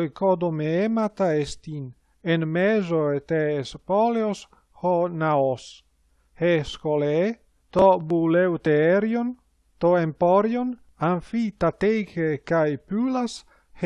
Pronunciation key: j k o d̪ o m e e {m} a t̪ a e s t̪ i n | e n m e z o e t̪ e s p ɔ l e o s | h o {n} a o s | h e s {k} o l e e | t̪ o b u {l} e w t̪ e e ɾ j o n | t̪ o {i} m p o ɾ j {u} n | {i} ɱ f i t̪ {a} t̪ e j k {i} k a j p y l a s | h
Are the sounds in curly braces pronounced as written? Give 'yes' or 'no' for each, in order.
yes, yes, yes, yes, no, no, no, yes, no

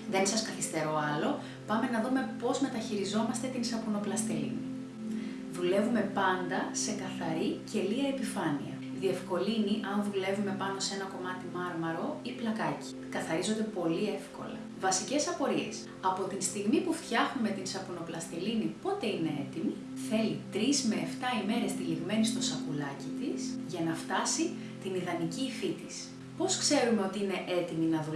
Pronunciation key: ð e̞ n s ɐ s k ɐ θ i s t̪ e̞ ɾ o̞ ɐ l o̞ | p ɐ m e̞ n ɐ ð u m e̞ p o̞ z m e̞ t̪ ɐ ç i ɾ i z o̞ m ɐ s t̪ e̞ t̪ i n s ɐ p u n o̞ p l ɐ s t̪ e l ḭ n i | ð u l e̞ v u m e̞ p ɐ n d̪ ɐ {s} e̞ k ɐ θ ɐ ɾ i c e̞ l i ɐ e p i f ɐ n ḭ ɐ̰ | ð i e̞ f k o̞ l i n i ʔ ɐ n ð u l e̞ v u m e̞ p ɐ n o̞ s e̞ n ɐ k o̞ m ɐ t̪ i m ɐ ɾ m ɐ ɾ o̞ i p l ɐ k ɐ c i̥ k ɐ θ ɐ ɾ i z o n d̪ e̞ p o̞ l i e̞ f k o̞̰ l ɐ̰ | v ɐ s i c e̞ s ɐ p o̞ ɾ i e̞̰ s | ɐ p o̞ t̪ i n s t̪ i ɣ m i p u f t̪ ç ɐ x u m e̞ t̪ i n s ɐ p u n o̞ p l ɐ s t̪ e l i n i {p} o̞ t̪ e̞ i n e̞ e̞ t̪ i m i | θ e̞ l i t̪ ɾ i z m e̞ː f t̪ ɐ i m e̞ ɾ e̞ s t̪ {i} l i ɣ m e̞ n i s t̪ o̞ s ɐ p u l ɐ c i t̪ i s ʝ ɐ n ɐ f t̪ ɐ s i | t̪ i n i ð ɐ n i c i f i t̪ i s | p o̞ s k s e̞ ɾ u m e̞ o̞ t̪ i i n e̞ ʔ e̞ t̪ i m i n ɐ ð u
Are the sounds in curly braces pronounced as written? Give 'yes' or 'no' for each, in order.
yes, yes, yes

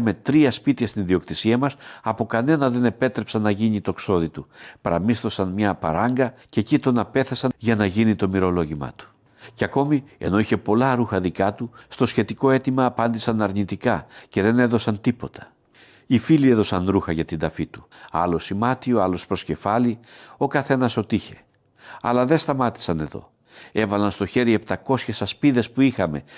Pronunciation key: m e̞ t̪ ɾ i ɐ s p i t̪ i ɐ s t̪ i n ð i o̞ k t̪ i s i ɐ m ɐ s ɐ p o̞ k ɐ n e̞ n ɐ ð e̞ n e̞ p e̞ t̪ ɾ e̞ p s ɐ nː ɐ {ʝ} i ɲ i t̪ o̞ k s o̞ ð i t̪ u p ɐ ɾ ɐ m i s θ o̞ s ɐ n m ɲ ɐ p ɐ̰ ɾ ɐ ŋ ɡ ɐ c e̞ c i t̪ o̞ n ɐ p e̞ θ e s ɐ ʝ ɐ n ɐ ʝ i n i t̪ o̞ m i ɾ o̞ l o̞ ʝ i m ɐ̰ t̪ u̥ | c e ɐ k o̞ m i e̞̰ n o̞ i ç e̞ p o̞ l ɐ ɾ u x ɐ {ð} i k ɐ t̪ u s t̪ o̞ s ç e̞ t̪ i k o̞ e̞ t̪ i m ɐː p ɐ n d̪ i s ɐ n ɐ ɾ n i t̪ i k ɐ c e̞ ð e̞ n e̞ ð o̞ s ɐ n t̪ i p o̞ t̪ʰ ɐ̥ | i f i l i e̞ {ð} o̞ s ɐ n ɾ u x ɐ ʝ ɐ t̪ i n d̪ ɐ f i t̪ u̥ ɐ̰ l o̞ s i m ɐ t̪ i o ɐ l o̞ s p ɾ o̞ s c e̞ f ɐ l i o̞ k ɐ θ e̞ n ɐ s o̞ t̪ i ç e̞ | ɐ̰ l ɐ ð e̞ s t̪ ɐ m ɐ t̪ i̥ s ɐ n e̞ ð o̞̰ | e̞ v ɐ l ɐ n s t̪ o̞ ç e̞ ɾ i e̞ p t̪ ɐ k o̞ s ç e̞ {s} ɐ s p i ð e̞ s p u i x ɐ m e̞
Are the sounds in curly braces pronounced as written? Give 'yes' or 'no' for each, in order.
yes, yes, yes, yes

